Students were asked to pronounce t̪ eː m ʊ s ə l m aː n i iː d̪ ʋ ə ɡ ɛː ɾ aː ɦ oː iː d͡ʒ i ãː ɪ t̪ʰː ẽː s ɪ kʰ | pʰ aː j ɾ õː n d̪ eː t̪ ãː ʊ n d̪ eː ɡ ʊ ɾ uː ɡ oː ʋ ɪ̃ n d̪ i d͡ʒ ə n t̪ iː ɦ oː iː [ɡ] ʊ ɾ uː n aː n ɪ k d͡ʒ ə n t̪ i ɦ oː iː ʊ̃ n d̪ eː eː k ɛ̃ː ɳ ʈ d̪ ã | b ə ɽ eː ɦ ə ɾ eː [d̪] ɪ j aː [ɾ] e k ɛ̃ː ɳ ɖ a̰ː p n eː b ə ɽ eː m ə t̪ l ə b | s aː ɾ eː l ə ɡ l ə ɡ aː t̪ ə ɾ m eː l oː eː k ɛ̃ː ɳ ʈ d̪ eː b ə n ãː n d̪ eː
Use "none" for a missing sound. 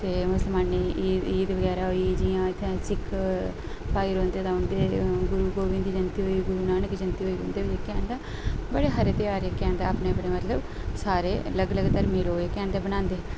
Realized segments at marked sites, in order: ɡ, t̪, ɾ

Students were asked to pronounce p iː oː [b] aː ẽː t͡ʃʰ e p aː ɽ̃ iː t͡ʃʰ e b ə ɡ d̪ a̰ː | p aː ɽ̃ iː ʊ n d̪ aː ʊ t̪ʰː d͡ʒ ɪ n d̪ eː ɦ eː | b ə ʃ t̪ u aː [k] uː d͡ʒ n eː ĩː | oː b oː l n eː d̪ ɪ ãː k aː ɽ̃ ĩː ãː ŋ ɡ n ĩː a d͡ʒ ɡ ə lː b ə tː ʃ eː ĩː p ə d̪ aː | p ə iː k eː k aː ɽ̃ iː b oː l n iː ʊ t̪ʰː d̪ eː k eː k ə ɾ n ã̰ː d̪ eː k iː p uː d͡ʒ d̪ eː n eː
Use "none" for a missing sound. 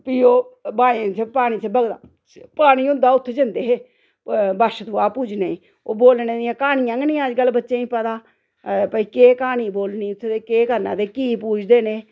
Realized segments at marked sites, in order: b, p

